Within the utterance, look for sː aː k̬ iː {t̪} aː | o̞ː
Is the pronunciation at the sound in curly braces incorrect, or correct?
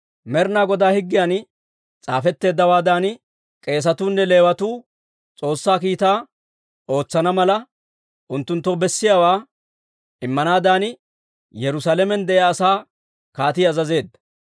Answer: correct